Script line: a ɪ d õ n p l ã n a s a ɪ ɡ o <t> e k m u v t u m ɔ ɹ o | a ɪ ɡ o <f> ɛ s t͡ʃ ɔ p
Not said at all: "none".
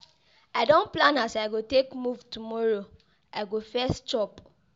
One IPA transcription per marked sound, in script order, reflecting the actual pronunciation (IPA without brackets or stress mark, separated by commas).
t, f